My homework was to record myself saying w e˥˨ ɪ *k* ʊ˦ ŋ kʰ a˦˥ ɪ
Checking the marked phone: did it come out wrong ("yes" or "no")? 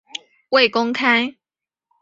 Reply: no